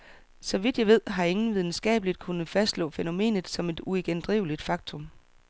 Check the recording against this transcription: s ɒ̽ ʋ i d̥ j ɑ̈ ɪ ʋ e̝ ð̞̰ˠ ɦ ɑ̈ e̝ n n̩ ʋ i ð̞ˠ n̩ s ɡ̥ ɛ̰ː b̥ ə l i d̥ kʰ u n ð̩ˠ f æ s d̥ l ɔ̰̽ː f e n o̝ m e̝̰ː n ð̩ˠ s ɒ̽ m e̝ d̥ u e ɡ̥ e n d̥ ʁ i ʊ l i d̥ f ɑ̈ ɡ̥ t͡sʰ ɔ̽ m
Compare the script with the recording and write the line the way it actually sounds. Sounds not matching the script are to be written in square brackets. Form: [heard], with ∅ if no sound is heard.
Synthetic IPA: s ɒ̽ ʋ i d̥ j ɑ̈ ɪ ʋ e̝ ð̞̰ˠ ɦ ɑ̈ e̝ [ŋ] n̩ ʋ i ð̞ˠ n̩ s ɡ̥ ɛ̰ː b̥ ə l i d̥ kʰ u n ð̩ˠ f æ s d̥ l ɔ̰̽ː f e n o̝ m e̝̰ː n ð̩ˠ s ɒ̽ m e̝ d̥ u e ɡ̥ e n d̥ ʁ i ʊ l i d̥ f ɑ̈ ɡ̥ t͡sʰ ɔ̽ m